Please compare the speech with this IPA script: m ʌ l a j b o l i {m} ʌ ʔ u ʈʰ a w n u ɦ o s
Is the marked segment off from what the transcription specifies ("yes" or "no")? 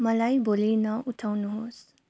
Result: yes